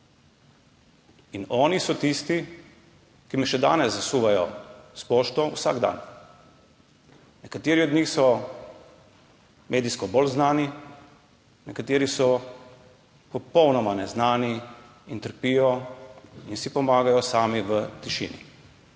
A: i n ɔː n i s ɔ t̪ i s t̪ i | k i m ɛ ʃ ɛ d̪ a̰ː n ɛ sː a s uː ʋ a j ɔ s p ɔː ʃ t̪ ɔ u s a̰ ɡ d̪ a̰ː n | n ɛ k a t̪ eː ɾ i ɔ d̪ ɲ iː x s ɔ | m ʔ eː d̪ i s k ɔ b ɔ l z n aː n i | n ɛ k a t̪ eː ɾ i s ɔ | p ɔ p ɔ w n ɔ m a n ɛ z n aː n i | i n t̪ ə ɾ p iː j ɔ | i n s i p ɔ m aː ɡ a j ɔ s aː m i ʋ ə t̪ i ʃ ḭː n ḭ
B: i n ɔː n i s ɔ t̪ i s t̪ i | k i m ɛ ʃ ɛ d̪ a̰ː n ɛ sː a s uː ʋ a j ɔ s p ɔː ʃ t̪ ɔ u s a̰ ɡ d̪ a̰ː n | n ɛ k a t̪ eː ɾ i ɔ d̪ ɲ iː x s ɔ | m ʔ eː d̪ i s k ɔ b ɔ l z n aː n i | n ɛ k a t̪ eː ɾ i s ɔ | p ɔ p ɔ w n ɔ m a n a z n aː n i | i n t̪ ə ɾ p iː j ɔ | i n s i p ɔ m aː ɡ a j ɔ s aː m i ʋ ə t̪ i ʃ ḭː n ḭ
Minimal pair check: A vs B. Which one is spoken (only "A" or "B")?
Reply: A